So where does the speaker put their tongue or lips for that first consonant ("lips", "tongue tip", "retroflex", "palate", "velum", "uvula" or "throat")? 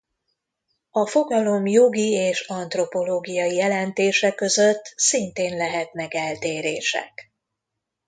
lips